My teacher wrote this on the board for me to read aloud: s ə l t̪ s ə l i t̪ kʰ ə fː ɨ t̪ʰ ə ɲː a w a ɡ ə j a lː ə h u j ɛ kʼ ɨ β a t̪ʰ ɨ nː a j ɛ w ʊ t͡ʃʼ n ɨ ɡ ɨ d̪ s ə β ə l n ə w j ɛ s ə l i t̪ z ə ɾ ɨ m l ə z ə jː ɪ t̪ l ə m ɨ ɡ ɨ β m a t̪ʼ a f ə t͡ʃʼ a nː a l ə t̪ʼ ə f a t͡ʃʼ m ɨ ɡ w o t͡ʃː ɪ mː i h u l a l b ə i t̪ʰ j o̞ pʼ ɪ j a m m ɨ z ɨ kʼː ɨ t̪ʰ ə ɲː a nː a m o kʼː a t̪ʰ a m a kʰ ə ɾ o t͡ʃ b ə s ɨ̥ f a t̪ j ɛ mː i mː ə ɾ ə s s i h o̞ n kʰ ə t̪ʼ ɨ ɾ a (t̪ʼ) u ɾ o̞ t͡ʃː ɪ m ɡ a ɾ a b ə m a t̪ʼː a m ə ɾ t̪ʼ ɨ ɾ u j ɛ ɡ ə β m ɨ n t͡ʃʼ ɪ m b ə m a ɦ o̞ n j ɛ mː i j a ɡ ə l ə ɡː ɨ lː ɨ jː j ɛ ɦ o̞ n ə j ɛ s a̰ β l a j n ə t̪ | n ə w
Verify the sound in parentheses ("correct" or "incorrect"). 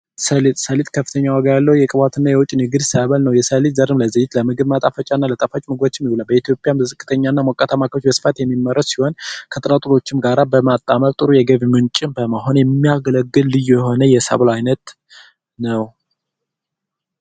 correct